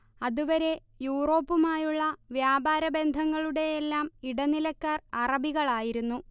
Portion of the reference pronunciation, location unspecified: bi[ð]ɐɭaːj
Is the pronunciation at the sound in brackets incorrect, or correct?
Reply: incorrect